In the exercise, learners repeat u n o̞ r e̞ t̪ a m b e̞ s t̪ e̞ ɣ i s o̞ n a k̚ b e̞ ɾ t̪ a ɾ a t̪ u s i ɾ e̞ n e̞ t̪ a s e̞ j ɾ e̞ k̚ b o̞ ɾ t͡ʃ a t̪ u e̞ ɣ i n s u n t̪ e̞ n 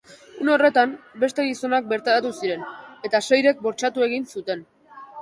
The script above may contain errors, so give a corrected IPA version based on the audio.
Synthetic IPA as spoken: u n o̞ r e̞ t̪ a m b e̞ s t̪ e̞ ɣ i s o̞ n a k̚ b e̞ ɾ t̪ a ɾ a t̪ u s i ɾ e̞ n e̞ t̪ a s e̞ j ɾ e̞ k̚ b o̞ ɾ t͡ʃ a t̪ u e̞ ɣ i n s u t̪ e̞ n